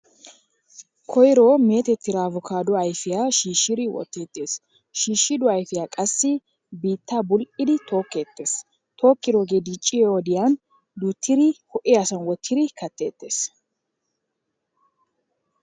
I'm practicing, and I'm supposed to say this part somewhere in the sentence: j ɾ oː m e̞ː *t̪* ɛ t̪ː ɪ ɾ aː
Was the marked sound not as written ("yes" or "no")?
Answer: no